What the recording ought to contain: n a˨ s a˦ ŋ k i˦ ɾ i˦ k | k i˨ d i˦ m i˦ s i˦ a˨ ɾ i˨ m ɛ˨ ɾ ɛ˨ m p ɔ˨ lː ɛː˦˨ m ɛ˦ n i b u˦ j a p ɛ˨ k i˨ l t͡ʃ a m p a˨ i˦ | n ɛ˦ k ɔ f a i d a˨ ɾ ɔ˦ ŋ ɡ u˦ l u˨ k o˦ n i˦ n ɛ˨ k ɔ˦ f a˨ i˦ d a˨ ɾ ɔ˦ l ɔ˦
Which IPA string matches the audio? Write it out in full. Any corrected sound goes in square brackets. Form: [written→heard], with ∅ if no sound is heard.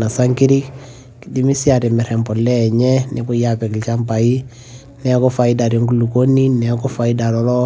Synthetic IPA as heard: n a˨ s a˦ ŋ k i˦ ɾ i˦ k | k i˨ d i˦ m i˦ s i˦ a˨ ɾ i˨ m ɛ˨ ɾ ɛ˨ m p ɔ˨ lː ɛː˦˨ [m→ɲ] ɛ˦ n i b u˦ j a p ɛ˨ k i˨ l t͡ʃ a m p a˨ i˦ | n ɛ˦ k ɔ f a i d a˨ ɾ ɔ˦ ŋ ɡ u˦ l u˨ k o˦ n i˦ n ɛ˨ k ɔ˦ f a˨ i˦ d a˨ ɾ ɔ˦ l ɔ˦